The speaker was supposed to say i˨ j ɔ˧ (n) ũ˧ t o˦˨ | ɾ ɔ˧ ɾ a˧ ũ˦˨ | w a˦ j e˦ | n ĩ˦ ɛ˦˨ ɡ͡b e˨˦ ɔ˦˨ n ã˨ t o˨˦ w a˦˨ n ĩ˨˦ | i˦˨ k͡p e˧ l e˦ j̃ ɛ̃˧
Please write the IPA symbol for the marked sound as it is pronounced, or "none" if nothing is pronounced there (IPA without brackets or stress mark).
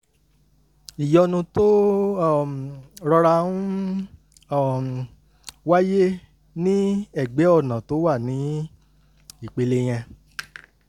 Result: n